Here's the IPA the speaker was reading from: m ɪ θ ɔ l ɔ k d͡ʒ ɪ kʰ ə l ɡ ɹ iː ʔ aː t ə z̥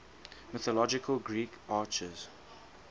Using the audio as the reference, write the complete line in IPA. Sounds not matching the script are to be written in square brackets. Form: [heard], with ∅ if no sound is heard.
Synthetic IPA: m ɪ θ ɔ l ɔ [∅] d͡ʒ ɪ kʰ ə l ɡ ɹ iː [k] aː [t͡ʃ] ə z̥

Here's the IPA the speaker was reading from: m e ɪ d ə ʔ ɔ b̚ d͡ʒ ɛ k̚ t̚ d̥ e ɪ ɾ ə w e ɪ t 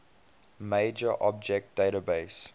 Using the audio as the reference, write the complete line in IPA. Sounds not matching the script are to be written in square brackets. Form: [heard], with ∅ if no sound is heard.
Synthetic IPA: m e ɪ [d͡ʒ] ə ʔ ɔ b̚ d͡ʒ ɛ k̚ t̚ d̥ e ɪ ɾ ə [b] e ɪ [s]

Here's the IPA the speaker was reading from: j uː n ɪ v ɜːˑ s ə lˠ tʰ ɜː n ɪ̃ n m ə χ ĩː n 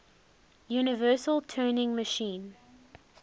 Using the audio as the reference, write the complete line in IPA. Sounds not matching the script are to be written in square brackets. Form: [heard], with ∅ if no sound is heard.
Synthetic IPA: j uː n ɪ v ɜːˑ s ə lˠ tʰ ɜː n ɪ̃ [ŋ] m ə [ʃ] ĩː n

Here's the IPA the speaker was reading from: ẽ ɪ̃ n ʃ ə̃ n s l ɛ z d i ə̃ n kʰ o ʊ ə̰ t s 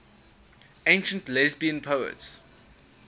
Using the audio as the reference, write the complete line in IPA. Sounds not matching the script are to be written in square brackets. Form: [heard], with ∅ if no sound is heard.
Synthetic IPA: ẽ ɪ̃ n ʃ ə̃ n [t] l ɛ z [b] i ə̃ n [pʰ] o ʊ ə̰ t s

